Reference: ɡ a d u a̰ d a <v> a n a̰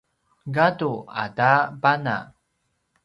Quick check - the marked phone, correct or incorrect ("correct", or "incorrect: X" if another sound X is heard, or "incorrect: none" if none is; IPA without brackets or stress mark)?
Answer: incorrect: b